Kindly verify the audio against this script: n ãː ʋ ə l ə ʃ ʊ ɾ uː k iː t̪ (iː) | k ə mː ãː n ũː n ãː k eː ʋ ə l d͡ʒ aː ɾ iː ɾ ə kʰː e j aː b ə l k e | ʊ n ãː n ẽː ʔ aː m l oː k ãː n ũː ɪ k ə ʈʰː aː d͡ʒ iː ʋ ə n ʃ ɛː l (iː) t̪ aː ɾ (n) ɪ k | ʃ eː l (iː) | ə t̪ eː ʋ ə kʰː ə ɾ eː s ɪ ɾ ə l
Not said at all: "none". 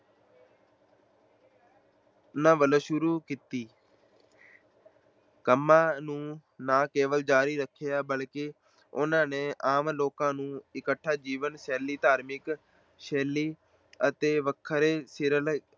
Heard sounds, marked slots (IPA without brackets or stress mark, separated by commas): iː, iː, m, iː